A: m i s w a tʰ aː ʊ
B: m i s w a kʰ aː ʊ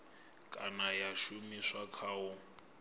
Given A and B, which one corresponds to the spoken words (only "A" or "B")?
B